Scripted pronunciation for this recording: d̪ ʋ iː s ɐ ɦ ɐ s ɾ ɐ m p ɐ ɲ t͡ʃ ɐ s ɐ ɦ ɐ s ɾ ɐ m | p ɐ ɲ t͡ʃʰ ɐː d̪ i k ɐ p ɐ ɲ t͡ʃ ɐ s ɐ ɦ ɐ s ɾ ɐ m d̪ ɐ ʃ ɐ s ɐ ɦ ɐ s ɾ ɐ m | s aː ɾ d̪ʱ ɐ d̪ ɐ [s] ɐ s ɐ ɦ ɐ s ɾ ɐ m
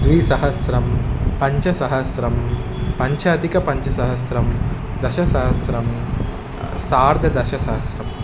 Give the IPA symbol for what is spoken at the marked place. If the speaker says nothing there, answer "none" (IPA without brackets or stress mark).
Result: ʃ